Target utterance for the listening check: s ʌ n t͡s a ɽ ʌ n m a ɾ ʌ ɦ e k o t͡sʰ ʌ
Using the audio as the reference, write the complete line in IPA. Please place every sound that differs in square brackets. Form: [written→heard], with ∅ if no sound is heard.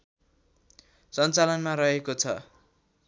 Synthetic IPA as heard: s ʌ n t͡s a [ɽ→l] ʌ n m a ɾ ʌ ɦ e k o t͡sʰ ʌ